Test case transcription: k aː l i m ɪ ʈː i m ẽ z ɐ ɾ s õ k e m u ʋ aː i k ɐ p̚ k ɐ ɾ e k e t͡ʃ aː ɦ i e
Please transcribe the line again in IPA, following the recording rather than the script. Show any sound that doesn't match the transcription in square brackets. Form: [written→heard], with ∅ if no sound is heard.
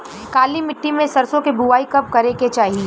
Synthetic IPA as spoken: k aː l i m ɪ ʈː i m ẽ [z→s] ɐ ɾ s õ k e [m→b] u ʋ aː i k ɐ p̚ k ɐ ɾ e k e t͡ʃ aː ɦ i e